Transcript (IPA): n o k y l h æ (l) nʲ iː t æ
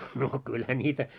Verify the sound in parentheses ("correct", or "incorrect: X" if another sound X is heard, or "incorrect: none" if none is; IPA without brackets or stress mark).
incorrect: none